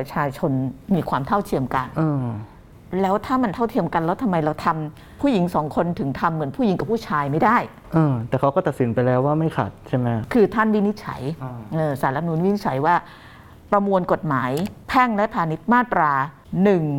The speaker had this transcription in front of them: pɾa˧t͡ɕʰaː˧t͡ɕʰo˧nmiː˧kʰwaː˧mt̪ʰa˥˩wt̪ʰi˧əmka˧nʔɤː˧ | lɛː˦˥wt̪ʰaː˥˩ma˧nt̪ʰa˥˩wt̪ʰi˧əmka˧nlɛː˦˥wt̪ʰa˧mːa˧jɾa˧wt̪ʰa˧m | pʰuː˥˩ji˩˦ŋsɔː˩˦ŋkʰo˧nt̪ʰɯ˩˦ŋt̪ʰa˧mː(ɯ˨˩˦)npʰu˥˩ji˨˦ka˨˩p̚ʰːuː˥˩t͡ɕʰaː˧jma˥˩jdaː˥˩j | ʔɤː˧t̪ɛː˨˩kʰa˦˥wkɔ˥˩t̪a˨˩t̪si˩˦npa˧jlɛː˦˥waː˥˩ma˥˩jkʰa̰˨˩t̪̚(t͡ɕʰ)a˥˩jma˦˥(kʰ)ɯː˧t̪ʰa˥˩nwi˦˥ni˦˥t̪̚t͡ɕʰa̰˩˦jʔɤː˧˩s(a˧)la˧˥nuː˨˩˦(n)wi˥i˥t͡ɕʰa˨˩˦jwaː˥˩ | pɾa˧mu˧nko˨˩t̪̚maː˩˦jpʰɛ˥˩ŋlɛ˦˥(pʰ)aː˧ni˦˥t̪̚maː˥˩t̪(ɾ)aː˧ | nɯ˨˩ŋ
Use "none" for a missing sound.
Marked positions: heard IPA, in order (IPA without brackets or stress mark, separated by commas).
ɯ˨˩˦, t͡ɕʰ, kʰ, a˩˦, n, pʰ, ɾ